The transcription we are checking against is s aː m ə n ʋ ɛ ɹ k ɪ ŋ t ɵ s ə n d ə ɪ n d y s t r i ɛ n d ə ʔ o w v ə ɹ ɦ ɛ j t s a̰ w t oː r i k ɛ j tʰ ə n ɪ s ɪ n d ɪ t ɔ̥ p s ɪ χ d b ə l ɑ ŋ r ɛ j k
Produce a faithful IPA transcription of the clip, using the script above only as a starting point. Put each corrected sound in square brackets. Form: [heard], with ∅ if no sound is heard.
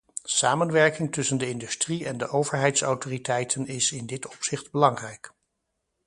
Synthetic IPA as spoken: s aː m ə n ʋ ɛ ɹ k ɪ ŋ t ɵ s ə n d ə ɪ n d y s t r i ɛ n d ə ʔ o w v ə ɹ ɦ ɛ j t s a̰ w t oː r i [t] ɛ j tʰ ə n ɪ s ɪ n d ɪ t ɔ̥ p s ɪ χ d b ə l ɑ ŋ r ɛ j k